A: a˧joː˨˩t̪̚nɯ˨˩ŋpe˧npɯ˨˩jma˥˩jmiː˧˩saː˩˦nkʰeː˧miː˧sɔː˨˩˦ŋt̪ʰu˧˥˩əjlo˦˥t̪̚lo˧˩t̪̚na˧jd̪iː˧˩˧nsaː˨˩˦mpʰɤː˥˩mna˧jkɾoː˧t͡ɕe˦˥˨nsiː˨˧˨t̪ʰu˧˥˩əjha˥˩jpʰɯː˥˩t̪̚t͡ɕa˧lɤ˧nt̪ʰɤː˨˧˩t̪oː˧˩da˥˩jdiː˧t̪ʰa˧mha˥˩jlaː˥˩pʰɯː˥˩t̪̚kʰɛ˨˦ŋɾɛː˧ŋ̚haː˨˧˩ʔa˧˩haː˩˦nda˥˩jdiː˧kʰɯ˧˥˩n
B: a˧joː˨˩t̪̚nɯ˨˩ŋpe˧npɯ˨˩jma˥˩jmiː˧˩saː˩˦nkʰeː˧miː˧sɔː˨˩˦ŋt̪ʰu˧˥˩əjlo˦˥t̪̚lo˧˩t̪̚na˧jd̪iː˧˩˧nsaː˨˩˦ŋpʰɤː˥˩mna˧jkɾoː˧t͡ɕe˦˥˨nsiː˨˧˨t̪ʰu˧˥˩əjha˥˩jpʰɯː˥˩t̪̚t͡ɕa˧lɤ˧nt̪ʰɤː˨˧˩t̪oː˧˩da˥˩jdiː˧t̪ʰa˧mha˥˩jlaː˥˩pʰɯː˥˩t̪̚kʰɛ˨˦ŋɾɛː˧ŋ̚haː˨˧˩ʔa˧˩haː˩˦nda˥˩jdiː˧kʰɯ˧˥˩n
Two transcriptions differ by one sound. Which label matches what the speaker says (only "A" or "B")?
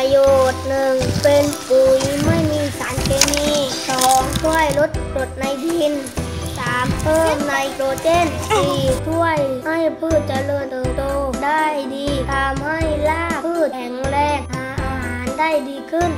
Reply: A